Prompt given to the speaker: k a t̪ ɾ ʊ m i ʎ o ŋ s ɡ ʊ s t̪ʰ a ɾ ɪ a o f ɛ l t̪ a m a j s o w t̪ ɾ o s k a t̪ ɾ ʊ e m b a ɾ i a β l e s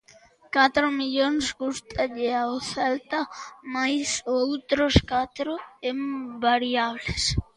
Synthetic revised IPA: k a t̪ ɾ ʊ m i ʎ o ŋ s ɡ u s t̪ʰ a ʎ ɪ a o θ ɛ l t̪ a m a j s o w t̪ ɾ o s k a t̪ ɾ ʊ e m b a ɾ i a β l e s